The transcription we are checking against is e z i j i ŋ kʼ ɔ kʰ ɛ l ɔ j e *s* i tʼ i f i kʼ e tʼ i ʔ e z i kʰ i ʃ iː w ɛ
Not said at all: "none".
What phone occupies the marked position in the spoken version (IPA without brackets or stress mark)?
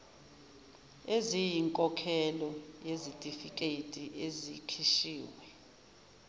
z